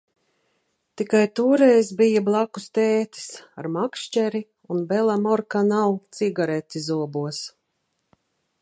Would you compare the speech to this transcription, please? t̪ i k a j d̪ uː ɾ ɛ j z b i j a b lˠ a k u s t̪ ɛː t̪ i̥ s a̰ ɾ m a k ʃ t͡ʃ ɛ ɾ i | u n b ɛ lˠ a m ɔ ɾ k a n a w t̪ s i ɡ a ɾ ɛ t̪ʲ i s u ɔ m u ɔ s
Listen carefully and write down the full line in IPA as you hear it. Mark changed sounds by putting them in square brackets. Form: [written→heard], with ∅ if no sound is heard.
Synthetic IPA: t̪ i k a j [d̪→t̪] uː ɾ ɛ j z b i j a b lˠ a k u s t̪ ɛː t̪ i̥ s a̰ ɾ m a k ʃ t͡ʃ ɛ ɾ i | u n b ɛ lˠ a m ɔ ɾ k a n a w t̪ s i ɡ a ɾ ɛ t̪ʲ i [s→z] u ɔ [m→b] u ɔ s